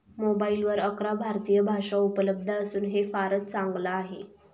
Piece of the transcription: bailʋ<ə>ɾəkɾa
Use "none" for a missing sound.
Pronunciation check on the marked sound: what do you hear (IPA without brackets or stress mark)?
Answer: ə